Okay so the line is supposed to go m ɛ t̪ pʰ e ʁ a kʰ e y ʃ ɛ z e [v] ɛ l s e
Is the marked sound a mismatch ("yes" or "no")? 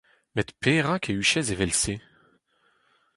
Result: no